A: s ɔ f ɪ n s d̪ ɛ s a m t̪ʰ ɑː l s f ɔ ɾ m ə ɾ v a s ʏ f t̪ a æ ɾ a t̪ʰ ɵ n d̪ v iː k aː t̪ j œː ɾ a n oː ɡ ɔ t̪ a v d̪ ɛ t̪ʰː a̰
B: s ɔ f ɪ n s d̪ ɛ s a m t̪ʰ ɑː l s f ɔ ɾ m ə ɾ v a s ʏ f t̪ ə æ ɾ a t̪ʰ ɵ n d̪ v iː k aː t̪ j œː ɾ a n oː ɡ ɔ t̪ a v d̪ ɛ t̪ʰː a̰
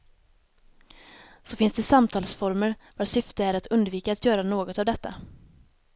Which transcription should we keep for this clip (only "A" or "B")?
B